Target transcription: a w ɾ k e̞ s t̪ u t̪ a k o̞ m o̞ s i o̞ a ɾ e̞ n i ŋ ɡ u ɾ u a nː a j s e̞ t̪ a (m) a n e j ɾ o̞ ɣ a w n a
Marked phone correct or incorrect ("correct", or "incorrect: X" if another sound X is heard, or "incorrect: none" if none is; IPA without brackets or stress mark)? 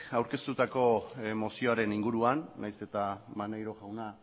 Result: correct